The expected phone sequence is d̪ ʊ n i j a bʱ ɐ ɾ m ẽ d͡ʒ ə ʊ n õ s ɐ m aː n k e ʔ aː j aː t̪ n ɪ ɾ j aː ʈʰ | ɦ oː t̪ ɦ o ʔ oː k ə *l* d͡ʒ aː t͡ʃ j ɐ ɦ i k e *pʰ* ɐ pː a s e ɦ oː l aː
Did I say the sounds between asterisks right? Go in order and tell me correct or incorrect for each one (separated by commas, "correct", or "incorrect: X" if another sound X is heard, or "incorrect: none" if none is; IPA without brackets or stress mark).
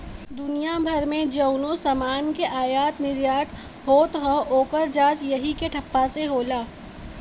incorrect: ɾ, incorrect: ʈʰ